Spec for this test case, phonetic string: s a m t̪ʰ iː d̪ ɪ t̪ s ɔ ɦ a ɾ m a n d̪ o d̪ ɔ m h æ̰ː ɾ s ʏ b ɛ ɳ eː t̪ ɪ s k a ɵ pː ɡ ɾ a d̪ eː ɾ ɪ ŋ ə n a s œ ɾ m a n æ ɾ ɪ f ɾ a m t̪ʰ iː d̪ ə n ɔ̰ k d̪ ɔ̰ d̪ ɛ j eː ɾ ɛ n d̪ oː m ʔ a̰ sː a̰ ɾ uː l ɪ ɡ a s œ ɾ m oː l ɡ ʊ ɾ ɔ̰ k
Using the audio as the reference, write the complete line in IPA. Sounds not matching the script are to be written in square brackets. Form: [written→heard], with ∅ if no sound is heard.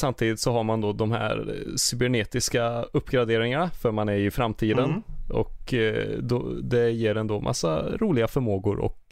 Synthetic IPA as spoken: s a m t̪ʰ iː d̪ ɪ t̪ s ɔ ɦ a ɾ m a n d̪ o d̪ ɔ m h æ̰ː ɾ s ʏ b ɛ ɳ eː t̪ ɪ s k a ɵ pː ɡ ɾ a d̪ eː ɾ ɪ ŋ [ə→a] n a [s→f] œ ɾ m a n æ ɾ ɪ f ɾ a m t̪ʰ iː d̪ ə n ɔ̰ k d̪ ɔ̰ d̪ ɛ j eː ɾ ɛ n d̪ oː m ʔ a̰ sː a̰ ɾ uː l ɪ ɡ a [s→f] œ ɾ m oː [l→∅] ɡ ʊ ɾ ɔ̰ k